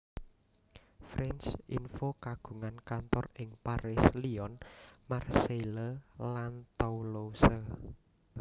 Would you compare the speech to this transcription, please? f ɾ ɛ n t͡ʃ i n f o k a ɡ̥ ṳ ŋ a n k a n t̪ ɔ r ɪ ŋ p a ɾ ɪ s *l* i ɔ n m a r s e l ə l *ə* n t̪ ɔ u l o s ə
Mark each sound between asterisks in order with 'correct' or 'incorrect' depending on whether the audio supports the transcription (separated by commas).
correct, incorrect